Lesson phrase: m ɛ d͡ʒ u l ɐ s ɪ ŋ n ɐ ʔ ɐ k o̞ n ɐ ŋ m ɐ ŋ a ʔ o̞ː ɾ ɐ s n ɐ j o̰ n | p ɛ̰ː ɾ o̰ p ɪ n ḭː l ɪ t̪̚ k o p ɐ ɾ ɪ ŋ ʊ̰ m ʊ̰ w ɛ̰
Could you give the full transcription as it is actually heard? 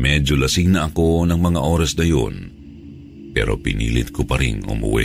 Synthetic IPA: m ɛ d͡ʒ o l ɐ s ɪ ŋ n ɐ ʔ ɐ k o̞ n ɐ ŋ m ɐ ŋ a ʔ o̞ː ɾ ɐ s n ɐ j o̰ n | p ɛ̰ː ɾ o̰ p ɪ n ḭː l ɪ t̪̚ k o p ɐ ɾ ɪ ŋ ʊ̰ m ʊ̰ w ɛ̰